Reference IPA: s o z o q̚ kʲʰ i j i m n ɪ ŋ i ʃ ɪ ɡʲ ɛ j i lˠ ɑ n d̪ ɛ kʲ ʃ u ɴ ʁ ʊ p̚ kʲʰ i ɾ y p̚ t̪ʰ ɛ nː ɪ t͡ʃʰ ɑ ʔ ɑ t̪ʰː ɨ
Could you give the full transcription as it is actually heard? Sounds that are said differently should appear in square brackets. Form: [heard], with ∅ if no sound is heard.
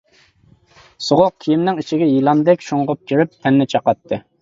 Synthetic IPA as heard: s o [ʁ] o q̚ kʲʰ i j i m n ɪ ŋ i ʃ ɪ ɡʲ ɛ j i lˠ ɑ n d̪ ɛ kʲ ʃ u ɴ ʁ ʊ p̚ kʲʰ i ɾ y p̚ t̪ʰ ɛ nː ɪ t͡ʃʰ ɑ [q] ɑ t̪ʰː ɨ